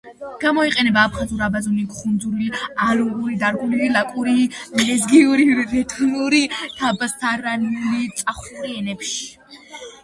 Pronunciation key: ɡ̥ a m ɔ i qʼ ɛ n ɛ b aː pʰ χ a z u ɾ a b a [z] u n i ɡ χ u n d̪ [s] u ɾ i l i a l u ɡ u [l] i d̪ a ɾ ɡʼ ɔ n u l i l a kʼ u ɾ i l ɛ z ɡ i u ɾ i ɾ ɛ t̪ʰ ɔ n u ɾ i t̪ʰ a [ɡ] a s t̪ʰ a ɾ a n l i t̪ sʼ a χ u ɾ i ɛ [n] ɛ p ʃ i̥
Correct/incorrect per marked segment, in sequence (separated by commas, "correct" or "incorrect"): correct, incorrect, incorrect, incorrect, correct